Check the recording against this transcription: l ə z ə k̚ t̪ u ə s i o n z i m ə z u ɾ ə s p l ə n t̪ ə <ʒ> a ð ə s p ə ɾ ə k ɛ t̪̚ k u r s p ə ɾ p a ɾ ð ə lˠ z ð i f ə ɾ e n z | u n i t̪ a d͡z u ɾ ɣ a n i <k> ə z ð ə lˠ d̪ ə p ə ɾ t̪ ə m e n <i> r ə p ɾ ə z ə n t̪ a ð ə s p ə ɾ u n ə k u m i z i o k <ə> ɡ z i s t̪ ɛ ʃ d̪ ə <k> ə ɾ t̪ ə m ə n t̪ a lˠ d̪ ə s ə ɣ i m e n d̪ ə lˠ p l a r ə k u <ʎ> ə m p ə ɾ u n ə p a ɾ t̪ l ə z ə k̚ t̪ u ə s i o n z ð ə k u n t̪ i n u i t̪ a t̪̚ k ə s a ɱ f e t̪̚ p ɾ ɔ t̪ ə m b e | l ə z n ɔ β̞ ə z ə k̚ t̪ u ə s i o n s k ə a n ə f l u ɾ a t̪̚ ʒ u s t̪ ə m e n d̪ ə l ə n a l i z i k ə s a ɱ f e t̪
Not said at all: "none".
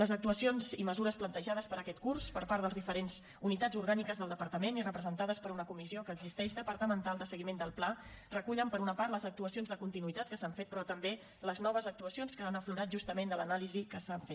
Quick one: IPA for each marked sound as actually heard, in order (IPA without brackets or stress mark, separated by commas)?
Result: ʒ, k, i, əː, p, ʎ